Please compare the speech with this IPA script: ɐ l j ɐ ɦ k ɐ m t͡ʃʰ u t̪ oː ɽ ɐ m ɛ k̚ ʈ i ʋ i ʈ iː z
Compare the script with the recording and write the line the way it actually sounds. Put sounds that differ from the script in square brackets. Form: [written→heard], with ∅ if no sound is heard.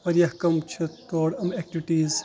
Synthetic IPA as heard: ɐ [l→ɾ] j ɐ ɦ k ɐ m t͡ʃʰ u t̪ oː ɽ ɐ m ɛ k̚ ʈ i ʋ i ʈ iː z